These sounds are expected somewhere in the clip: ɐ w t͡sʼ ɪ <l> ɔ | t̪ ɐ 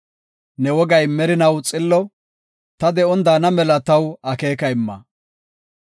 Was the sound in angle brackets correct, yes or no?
no